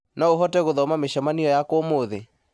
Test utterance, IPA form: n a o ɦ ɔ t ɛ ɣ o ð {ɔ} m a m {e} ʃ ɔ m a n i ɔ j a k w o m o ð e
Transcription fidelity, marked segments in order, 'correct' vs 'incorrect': correct, correct

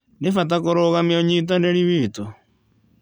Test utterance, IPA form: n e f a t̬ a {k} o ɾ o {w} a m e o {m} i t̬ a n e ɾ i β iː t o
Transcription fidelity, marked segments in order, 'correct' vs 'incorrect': correct, incorrect, incorrect

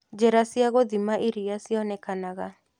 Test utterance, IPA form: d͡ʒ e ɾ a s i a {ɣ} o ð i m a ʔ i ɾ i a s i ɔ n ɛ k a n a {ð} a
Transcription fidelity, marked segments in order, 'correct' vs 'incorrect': correct, incorrect

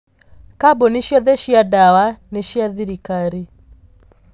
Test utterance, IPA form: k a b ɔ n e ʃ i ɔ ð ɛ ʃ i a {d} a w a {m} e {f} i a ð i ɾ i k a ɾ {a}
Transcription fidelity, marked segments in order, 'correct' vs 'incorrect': correct, incorrect, incorrect, incorrect

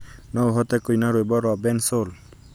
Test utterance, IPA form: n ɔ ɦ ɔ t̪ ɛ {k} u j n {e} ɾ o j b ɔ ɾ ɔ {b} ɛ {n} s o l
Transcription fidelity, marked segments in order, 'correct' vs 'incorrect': correct, incorrect, correct, correct

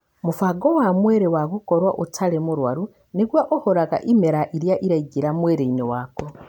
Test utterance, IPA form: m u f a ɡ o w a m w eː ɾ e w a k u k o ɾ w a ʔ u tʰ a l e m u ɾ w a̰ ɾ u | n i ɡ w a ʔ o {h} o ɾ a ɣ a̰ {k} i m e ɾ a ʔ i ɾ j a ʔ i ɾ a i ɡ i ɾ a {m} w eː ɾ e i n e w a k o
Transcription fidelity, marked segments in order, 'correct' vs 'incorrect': correct, incorrect, correct

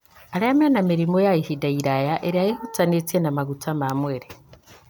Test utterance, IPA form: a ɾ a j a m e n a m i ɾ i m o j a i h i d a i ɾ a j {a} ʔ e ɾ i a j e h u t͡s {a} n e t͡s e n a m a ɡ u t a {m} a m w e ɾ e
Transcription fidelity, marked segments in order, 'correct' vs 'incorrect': correct, correct, correct

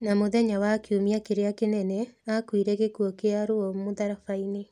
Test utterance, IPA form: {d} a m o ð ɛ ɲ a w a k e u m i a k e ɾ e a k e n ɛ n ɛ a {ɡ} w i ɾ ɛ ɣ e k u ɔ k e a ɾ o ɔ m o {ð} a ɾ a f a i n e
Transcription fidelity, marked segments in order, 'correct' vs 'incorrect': incorrect, incorrect, correct

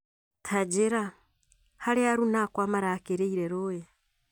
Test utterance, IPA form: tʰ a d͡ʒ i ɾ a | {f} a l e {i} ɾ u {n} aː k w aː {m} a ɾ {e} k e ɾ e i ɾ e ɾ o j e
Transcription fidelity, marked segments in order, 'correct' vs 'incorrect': incorrect, incorrect, correct, correct, incorrect

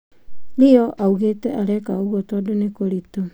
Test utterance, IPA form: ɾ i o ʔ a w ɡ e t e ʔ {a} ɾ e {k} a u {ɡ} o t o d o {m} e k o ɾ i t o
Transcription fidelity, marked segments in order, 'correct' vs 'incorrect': correct, correct, correct, incorrect

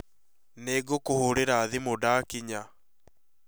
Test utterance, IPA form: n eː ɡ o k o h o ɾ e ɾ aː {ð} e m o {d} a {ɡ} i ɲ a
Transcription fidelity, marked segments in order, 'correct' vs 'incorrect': correct, correct, incorrect

